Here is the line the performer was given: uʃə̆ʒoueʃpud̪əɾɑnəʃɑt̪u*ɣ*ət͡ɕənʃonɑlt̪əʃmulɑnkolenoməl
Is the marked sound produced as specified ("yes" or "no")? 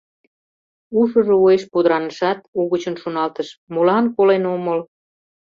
yes